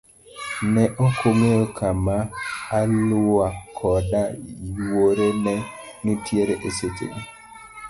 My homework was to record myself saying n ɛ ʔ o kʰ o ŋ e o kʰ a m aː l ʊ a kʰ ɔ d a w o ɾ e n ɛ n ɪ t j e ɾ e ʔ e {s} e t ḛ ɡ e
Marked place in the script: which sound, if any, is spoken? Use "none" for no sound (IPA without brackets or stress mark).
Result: s